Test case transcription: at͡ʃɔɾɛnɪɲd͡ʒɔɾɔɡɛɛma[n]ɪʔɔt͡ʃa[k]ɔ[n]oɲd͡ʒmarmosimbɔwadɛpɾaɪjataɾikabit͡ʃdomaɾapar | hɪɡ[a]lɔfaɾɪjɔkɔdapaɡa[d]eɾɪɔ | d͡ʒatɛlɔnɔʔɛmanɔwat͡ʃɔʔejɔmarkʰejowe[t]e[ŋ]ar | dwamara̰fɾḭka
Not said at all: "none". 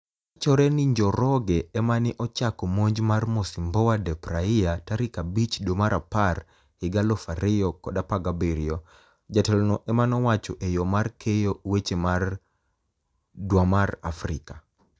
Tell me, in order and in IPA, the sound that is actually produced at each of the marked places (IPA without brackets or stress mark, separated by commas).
n, k, m, a, b, t͡ʃ, m